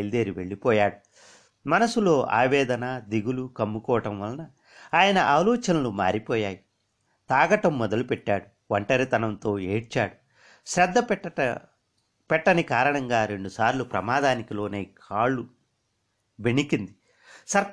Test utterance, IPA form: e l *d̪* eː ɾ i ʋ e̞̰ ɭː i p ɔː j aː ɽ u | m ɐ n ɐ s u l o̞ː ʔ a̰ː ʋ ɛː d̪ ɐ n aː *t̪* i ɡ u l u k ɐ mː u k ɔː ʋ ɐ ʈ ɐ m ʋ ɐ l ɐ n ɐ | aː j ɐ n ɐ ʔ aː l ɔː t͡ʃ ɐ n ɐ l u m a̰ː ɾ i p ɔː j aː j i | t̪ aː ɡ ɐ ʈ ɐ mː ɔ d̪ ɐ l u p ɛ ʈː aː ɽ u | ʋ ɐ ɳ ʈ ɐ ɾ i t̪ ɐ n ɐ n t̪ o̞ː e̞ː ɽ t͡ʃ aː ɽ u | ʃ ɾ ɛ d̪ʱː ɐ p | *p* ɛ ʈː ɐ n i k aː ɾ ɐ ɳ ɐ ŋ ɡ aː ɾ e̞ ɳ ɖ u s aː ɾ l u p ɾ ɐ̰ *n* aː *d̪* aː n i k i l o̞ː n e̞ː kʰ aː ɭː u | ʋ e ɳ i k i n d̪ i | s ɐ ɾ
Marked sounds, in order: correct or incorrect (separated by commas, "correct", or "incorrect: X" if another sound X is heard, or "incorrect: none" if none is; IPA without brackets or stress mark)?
correct, incorrect: d̪, correct, incorrect: m, correct